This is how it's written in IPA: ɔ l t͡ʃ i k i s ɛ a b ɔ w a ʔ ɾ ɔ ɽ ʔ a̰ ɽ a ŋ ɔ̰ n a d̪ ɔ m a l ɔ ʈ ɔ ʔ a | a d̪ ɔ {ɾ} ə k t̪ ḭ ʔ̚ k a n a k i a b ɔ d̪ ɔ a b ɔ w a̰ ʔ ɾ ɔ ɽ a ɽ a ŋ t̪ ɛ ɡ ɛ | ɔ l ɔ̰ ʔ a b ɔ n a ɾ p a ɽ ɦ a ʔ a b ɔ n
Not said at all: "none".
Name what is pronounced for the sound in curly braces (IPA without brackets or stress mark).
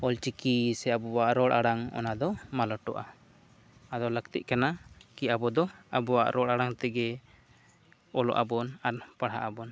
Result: l